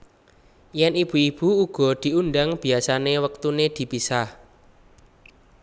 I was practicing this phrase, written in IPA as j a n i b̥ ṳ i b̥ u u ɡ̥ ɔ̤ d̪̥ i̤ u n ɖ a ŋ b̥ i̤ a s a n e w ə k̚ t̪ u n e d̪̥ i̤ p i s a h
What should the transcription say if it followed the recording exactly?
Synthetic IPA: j ɛ n i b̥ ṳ i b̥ u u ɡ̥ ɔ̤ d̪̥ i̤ u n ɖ a ŋ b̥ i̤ a s a n e w ə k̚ t̪ u n e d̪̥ i̤ p i s a h